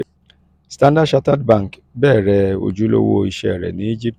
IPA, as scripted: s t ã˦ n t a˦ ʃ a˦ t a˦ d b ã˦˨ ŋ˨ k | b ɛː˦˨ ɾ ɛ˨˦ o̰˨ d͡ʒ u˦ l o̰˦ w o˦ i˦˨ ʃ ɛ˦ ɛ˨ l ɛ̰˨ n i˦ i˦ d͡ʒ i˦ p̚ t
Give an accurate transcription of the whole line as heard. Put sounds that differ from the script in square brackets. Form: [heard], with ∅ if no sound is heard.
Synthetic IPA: s t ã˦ n [d] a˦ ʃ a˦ t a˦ d b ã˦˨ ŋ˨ k | b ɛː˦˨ ɾ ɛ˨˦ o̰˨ d͡ʒ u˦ l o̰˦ w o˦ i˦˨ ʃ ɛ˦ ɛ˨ [ɾ] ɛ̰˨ n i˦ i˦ d͡ʒ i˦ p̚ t